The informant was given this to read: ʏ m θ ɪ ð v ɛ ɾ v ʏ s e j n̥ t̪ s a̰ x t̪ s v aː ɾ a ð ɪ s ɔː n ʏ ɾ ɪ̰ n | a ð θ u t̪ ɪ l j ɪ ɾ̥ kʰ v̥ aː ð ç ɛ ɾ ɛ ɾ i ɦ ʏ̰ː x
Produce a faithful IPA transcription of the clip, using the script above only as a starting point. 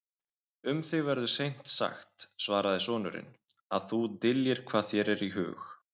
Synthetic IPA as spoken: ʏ m θ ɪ ɣ v ɛ ɾ ð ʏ s e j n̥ t̪ s a̰ x t̪ s v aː ɾ a ð ɪ s ɔː n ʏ ɾ ɪ̰ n | a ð θ u t̪ ɪ l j ɪ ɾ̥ kʰ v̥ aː ð ç ɛ ɾ ɛ ɾ i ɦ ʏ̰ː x